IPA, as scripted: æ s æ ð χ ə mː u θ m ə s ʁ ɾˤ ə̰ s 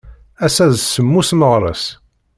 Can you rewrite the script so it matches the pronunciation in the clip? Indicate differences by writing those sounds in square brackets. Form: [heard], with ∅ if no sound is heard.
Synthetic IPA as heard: æ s æ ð [s] ə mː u [s] m ə [∅] ʁ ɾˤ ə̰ s